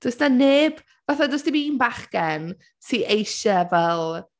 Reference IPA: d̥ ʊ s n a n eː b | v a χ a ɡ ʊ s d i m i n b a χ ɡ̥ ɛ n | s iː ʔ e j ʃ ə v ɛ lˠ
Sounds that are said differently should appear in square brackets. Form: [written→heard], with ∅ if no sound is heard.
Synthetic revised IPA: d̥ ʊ s n a n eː b | v a [χ→θ] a [ɡ→d] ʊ s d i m i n b a χ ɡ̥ ɛ n | s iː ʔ e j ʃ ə v ɛ lˠ